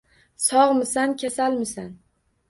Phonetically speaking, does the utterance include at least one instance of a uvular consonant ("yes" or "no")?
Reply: yes